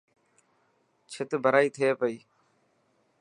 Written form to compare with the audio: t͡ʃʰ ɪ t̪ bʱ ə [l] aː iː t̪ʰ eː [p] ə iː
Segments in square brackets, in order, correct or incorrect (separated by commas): incorrect, correct